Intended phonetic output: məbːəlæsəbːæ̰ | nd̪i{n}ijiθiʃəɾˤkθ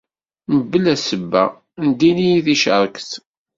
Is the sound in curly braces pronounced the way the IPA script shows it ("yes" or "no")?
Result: yes